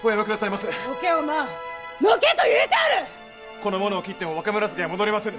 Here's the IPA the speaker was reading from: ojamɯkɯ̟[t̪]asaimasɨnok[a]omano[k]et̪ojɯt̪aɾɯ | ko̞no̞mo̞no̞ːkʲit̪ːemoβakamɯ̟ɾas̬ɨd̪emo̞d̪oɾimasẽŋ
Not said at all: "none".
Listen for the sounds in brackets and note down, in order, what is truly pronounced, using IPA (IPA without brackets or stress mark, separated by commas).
d̪, e, k